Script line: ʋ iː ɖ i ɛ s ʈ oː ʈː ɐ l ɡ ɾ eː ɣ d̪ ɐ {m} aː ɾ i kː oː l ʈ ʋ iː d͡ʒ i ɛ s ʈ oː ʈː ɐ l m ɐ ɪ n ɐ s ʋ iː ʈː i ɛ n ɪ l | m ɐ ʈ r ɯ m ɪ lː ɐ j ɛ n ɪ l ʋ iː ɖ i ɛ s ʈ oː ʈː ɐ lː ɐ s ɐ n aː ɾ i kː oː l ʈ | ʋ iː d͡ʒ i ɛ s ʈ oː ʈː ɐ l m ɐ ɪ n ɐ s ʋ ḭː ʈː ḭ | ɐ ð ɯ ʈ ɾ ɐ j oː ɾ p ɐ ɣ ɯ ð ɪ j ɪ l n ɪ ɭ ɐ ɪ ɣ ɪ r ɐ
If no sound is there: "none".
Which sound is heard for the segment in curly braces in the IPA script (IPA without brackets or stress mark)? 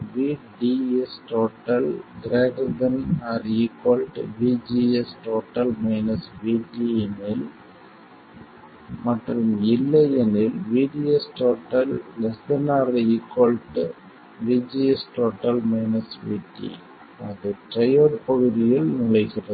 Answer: n